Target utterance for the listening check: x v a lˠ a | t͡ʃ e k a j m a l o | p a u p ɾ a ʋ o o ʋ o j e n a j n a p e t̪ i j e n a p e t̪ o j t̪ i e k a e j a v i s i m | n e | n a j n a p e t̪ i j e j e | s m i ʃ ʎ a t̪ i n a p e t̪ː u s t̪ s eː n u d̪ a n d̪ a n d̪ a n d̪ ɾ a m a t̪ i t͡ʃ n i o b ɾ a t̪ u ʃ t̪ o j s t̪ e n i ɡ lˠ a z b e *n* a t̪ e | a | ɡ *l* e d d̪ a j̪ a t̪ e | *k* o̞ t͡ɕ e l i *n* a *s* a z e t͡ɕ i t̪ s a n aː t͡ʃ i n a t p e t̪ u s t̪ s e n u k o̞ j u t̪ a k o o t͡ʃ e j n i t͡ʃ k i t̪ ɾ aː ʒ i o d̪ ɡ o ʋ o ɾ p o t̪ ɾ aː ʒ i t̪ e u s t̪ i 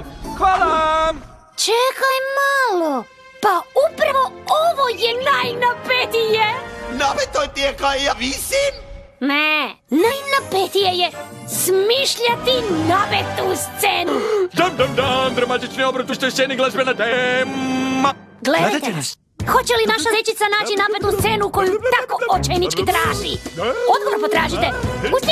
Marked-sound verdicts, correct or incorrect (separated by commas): correct, correct, incorrect, correct, incorrect